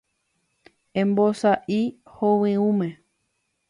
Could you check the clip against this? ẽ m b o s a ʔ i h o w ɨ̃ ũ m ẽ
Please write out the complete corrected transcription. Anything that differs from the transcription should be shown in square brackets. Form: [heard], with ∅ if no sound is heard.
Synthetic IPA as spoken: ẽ m b o s a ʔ i h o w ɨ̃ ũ m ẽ